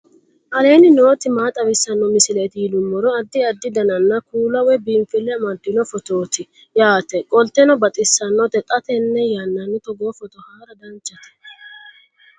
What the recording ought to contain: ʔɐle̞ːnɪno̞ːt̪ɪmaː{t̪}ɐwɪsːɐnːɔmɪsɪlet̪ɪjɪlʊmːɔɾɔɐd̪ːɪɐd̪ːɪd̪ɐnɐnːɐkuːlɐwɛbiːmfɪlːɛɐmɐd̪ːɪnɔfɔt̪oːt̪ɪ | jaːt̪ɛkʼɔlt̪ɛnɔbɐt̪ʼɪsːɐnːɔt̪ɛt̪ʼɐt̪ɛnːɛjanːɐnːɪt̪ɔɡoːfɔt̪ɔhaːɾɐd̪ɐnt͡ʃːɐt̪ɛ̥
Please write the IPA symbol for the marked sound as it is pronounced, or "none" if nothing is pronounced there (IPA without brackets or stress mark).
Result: t̪ʼ